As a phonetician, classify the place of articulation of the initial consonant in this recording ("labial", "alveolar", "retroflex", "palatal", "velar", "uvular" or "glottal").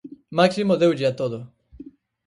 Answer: labial